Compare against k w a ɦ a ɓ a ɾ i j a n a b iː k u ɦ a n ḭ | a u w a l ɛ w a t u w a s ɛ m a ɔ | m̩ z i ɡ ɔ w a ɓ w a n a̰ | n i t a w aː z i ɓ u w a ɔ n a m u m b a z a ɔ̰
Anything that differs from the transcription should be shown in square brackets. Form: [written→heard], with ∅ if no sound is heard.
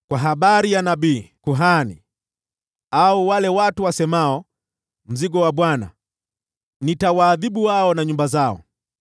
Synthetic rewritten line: k w a ɦ a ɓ a ɾ i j a n a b iː k u ɦ a n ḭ | a u w a l ɛ w a t u w a s ɛ m a ɔ | m̩ z i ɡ ɔ w a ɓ w a n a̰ | n i t a w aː [z→ð] i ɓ u w a ɔ n a [m→ɲ] u m b a z a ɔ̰